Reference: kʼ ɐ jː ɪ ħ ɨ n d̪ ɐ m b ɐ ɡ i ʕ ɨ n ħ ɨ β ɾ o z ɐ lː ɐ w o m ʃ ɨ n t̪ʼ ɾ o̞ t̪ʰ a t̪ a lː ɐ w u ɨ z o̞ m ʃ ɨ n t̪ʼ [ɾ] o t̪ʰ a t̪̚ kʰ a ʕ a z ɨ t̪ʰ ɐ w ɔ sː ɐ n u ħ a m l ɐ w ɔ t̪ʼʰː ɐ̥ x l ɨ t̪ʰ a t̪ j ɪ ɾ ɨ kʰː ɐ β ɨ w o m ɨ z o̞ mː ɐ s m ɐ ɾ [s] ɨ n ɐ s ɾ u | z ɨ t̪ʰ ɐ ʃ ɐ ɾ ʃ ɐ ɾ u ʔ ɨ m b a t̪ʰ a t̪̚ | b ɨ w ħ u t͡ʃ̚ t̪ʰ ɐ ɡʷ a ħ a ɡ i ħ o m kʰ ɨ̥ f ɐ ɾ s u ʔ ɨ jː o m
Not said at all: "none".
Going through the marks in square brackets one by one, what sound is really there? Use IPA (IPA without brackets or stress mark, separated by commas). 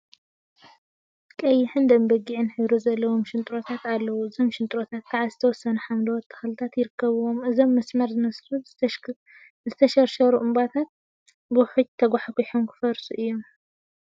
ɾ, z